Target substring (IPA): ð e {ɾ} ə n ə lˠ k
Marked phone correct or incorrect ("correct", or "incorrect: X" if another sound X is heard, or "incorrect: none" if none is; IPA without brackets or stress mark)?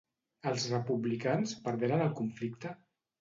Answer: correct